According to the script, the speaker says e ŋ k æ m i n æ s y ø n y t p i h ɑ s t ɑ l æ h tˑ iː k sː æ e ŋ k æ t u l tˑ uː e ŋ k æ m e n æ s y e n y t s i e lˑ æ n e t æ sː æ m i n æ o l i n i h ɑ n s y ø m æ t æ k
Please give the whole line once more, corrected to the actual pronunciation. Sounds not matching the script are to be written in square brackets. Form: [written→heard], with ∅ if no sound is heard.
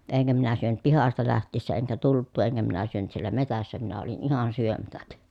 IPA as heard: e ŋ k æ m i n æ s y ø n y t p i h ɑ s t ɑ l æ h tˑ iː [k→∅] sː æ e ŋ k æ t u l tˑ uː e ŋ k æ m [e→i] n æ s y [e→ø] n y t s i e lˑ æ [n→m] e t æ sː æ m i n æ o l i n i h ɑ n s y ø m æ t æ k